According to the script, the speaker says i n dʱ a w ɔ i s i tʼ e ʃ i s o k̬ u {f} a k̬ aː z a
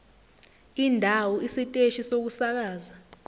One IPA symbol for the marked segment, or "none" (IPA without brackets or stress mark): s